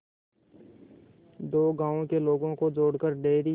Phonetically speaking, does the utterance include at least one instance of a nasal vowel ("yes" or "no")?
yes